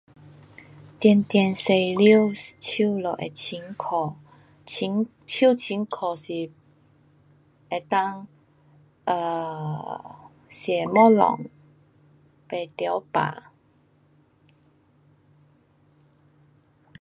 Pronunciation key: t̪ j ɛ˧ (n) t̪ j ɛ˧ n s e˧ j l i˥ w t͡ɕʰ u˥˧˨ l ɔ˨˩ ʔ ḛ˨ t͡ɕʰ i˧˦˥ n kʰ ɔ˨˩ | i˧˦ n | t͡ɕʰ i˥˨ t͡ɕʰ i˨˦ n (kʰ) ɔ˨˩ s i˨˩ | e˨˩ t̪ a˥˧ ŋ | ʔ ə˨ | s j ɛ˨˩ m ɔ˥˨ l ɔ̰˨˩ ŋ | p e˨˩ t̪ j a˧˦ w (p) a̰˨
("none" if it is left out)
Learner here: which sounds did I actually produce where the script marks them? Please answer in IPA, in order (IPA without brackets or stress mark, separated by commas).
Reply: n, kʰ, p